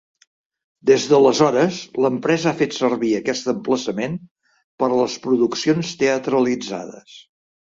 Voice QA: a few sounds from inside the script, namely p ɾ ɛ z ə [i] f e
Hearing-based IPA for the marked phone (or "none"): a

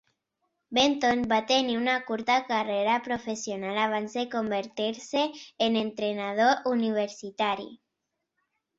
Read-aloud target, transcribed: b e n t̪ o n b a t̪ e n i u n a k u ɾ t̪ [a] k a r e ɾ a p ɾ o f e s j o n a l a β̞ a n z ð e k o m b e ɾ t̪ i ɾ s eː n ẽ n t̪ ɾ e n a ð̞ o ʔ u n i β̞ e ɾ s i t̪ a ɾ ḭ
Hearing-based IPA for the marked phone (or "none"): a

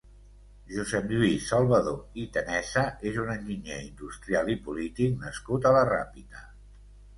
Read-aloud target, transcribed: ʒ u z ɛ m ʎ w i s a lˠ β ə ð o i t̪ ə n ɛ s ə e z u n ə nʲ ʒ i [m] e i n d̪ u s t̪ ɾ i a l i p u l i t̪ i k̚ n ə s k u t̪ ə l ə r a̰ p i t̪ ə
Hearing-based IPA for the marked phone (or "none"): ɲ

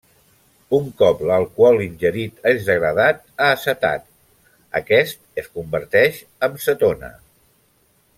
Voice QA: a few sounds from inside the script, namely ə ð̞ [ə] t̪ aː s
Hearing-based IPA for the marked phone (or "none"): a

